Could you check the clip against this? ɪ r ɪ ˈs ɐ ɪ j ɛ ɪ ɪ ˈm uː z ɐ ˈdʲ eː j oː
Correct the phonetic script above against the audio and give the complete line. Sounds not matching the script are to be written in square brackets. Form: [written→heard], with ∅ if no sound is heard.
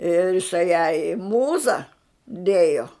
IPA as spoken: ɪ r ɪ ˈs ɐ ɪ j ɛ ɪ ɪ ˈm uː z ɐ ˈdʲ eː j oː